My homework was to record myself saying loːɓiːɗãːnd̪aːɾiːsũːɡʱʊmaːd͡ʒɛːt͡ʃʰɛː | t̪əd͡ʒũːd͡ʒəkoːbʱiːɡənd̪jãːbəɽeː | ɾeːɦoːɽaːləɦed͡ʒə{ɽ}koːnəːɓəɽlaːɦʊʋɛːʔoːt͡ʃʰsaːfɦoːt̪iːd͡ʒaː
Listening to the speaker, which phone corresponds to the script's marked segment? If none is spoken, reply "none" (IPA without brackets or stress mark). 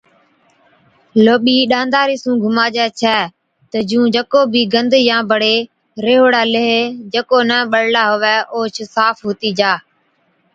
none